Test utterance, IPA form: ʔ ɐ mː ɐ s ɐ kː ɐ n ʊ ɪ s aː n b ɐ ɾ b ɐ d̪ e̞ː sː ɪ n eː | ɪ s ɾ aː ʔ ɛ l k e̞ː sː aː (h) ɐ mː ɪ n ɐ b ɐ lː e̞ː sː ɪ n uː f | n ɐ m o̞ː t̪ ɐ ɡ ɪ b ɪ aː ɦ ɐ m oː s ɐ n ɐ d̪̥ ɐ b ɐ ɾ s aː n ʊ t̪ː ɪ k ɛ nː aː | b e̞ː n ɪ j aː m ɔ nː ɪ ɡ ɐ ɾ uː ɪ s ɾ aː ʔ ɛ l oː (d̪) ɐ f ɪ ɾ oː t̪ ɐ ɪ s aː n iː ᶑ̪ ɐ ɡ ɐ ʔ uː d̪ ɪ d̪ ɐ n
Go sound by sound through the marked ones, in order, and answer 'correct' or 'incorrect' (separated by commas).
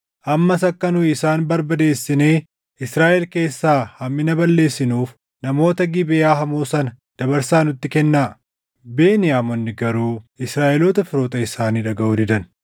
correct, incorrect